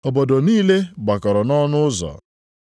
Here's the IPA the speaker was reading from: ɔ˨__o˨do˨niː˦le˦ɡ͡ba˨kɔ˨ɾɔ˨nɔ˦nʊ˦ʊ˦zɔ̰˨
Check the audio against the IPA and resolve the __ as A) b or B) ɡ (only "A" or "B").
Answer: A